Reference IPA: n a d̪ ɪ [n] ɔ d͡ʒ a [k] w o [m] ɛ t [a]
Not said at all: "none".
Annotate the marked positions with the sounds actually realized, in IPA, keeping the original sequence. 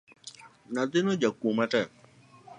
n, k, m, ɛ

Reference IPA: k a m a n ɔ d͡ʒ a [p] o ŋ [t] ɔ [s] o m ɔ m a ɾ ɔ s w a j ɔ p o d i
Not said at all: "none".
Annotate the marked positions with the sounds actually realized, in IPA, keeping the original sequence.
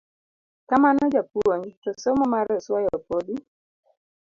p, t, s

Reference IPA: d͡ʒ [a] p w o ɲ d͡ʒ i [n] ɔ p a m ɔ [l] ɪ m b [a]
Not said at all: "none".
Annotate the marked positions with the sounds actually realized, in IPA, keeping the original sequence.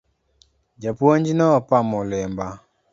a, n, l, a

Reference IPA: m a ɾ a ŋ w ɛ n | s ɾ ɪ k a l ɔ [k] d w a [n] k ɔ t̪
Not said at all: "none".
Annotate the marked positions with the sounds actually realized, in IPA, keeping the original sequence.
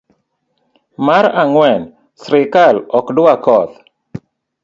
k, none

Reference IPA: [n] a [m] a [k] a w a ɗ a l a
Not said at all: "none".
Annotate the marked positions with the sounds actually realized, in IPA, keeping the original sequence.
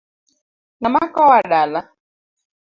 n, m, k

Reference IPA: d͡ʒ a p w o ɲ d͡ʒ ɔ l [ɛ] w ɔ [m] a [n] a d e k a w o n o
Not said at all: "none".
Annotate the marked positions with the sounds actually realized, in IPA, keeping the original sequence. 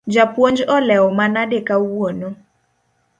ɛ, m, n

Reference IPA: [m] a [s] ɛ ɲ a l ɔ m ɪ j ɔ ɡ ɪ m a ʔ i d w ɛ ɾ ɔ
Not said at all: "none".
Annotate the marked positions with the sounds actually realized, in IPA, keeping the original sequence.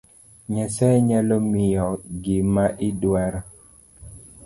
ɲ, s

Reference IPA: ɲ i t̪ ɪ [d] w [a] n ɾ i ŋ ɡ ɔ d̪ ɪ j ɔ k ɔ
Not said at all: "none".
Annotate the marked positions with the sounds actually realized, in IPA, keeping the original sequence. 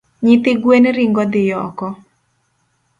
ɡ, e

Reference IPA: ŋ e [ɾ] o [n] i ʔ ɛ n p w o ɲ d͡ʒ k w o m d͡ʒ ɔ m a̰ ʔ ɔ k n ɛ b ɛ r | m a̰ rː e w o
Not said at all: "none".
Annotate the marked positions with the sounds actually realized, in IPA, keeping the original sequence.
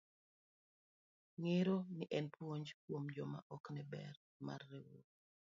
ɾ, n

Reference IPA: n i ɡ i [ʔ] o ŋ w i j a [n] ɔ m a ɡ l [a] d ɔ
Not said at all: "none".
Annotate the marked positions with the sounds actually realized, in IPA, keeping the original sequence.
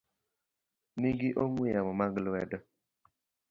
ʔ, m, ɛ

